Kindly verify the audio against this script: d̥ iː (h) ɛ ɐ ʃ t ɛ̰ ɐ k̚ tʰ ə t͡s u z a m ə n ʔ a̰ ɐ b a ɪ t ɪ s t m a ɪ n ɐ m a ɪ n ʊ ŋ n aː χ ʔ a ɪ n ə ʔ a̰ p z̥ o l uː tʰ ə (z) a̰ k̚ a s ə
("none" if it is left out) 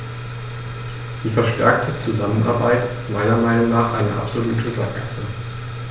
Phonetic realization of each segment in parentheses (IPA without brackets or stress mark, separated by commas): f, z